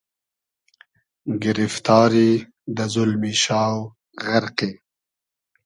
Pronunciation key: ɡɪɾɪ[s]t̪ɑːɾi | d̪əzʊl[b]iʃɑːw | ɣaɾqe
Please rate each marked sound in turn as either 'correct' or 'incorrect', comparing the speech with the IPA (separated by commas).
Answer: incorrect, incorrect